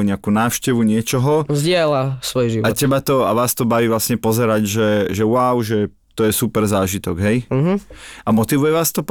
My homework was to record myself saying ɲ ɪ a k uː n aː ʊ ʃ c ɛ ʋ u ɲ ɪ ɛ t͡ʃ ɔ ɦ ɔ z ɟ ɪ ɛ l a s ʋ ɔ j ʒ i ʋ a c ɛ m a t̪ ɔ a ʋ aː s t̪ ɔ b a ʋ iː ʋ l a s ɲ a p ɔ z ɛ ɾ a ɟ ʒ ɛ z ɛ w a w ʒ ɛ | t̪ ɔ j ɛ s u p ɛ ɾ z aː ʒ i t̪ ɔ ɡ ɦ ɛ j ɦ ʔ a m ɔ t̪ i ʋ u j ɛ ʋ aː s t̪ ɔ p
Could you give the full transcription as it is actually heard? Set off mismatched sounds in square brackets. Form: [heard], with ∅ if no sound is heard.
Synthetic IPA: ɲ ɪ a k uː n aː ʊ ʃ c ɛ ʋ u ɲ ɪ ɛ t͡ʃ ɔ ɦ ɔ z ɟ ɪ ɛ l a s ʋ ɔ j ʒ i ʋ a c ɛ [b] a t̪ ɔ a ʋ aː s t̪ ɔ b a ʋ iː ʋ l a s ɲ [ɛ] p ɔ z ɛ ɾ a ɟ ʒ ɛ [ʒ] ɛ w a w ʒ ɛ | t̪ ɔ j ɛ s u p ɛ ɾ z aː ʒ i t̪ ɔ ɡ ɦ ɛ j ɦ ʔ a m ɔ t̪ i ʋ u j ɛ ʋ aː s t̪ ɔ p